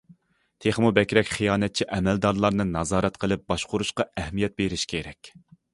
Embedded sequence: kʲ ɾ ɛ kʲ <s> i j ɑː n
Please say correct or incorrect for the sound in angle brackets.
incorrect: χ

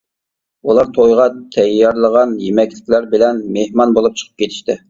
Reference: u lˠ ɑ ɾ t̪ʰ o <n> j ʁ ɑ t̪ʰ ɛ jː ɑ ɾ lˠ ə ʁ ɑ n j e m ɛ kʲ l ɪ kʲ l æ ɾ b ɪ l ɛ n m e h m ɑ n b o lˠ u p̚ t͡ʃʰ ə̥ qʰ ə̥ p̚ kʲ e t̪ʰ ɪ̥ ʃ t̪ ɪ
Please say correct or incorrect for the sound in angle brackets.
incorrect: none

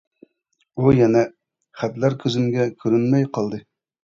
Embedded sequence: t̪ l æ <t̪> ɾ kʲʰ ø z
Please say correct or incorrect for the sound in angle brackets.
incorrect: none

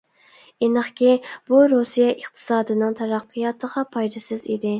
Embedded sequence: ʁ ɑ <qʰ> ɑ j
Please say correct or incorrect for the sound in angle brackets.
incorrect: pʰ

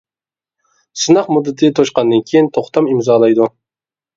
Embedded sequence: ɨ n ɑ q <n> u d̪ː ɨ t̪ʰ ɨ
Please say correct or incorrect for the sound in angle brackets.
incorrect: m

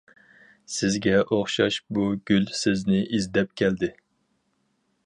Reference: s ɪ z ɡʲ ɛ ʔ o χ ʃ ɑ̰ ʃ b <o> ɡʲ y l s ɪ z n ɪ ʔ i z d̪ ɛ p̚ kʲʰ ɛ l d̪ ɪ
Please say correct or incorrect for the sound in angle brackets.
incorrect: u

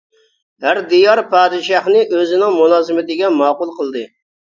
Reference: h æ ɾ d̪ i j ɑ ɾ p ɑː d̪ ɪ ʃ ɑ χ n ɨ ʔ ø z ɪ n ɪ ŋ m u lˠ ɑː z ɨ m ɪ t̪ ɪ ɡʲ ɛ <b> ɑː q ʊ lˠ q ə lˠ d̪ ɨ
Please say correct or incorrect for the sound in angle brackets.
incorrect: m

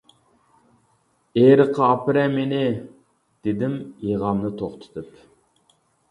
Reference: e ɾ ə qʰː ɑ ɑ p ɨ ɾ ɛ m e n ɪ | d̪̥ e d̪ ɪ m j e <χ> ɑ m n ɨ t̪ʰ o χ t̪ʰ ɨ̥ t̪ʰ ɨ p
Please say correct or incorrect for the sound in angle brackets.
incorrect: ʁ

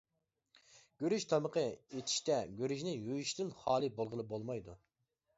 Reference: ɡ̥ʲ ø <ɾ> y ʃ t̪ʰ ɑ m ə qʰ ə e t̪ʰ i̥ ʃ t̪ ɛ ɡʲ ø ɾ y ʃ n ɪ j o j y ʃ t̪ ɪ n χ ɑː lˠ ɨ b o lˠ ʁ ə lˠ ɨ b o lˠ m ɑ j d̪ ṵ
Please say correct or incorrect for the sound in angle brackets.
correct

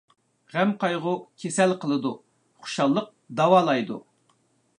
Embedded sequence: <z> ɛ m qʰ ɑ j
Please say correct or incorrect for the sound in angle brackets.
incorrect: ʁ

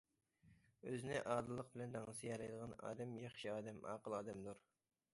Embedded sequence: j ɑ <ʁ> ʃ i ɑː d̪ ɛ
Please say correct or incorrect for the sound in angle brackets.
incorrect: χ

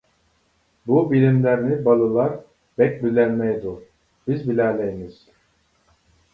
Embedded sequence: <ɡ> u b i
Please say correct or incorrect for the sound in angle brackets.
incorrect: b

